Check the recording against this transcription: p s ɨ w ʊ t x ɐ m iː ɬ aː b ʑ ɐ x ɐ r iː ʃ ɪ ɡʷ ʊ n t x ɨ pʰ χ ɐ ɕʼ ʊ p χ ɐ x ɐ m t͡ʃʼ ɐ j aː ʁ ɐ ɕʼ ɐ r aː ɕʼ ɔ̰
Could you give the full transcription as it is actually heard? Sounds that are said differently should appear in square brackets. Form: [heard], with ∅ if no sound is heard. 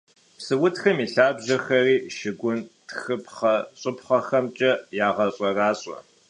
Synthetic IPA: p s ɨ w ʊ t x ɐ m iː ɬ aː b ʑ ɐ x ɐ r iː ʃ ɪ ɡʷ ʊ n t x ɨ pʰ χ ɐ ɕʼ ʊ p χ ɐ x ɐ m t͡ʃʼ ɐ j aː ʁ ɐ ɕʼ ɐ r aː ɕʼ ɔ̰